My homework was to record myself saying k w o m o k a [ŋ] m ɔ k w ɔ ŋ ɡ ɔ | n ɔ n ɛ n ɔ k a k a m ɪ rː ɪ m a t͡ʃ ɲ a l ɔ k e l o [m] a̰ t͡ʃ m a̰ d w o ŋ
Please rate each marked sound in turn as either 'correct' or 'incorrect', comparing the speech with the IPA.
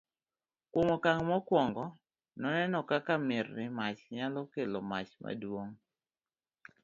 correct, correct

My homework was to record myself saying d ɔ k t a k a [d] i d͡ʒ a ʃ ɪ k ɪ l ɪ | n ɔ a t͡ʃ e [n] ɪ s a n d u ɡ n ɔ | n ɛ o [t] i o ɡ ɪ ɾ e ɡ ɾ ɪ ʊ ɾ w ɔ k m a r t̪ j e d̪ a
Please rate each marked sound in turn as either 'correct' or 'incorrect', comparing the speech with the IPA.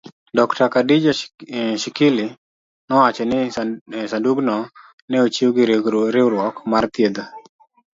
correct, correct, incorrect: t͡ʃ

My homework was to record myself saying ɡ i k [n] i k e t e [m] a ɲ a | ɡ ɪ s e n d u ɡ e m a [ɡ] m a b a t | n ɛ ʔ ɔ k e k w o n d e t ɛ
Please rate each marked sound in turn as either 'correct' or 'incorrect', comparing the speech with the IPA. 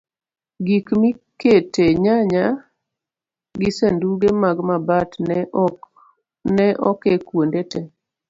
incorrect: m, incorrect: ɲ, correct

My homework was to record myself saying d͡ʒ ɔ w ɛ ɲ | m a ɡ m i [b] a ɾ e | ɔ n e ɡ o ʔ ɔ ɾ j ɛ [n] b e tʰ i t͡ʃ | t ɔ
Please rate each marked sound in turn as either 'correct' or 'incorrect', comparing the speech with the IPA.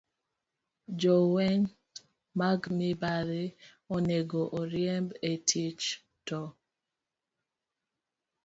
correct, incorrect: m

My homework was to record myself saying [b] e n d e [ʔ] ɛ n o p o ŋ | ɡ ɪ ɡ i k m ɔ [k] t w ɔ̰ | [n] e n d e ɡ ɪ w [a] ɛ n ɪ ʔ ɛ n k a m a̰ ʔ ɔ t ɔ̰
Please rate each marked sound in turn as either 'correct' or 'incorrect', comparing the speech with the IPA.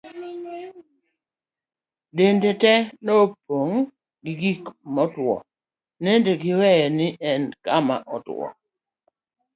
incorrect: d, incorrect: t, incorrect: none, correct, incorrect: ɛ

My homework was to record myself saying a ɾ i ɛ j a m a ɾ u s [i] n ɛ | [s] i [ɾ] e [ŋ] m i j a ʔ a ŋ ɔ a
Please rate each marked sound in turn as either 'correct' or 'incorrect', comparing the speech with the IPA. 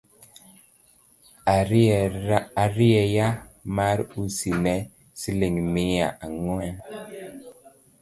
correct, correct, incorrect: l, correct

